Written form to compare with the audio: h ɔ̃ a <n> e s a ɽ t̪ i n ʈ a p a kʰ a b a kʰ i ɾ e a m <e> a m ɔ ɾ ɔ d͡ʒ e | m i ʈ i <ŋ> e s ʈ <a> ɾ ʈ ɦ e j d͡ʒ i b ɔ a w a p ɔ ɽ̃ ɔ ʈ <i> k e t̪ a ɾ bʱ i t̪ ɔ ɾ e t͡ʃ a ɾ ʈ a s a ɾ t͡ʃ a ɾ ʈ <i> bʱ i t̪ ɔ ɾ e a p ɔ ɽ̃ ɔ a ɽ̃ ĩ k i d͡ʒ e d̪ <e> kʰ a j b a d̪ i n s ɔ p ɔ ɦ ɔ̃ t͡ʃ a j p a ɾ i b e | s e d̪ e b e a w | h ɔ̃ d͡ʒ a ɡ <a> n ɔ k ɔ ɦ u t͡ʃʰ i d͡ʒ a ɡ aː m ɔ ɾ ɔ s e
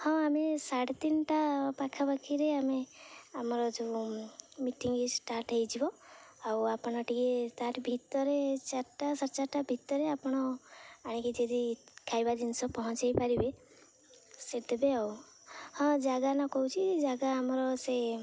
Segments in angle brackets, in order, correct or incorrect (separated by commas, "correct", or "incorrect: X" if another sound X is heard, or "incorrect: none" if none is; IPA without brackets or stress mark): incorrect: m, correct, correct, correct, correct, incorrect: a, incorrect: i, correct